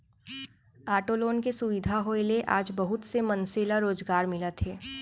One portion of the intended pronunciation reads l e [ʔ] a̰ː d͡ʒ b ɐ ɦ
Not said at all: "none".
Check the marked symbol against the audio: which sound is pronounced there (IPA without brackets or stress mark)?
ʔ